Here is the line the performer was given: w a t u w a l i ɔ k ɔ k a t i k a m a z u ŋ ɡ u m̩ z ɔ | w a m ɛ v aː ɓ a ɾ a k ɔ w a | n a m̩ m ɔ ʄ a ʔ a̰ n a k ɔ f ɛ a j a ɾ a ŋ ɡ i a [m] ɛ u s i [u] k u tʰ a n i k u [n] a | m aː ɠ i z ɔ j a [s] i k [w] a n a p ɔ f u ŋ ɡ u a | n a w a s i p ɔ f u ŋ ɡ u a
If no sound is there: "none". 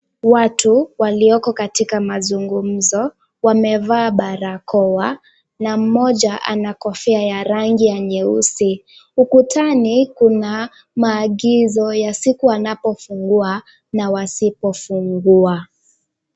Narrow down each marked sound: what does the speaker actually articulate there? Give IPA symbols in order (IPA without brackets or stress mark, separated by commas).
ɲ, u, n, s, u